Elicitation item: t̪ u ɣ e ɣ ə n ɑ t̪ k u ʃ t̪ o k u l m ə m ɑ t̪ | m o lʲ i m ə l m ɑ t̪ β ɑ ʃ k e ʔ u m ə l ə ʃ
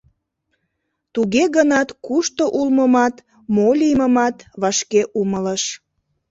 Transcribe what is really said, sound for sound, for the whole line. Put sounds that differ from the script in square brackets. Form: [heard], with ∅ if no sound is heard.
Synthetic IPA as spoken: t̪ u ɣ e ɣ ə n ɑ t̪ k u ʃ t̪ o [ʔ] u l m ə m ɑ t̪ | m o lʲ i m ə [∅] m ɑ t̪ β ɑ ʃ k e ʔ u m ə l ə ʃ